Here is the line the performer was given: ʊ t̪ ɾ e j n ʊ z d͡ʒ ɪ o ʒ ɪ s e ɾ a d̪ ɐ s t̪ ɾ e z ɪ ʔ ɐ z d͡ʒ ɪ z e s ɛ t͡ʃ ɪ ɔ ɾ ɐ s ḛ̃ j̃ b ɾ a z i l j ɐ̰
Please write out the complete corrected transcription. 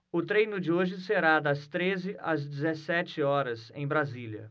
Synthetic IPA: ʊ t̪ ɾ e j n ʊ d͡ʒ ɪ o ʒ ɪ s e ɾ a d̪ ɐ s t̪ ɾ e z ɪ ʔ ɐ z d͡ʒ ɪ z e s ɛ t͡ʃ ɪ ɔ ɾ ɐ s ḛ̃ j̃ b ɾ a z i l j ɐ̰